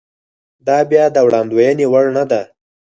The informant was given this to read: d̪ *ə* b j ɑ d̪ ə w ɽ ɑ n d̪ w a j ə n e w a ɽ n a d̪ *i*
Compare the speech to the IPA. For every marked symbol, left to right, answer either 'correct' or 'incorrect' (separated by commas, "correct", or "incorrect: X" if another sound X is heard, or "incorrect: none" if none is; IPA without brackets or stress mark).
incorrect: ɑ, incorrect: a